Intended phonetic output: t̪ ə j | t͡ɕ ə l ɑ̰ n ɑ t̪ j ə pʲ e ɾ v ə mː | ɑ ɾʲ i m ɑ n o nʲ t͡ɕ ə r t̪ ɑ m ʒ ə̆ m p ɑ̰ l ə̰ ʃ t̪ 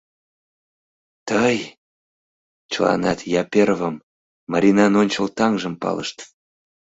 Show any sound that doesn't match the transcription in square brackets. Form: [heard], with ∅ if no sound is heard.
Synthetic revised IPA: t̪ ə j | t͡ɕ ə l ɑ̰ n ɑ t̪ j [ɑ] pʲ e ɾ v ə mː | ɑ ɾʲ i [n] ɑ n o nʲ t͡ɕ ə [l] t̪ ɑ [ŋ] ʒ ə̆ m p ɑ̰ l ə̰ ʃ t̪